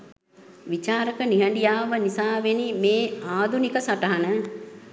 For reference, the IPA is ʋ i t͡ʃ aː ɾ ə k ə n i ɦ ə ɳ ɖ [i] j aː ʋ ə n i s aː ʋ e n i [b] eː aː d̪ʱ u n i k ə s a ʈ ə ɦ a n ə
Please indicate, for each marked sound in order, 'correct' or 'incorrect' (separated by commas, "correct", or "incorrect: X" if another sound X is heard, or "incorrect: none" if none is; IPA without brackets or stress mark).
correct, incorrect: m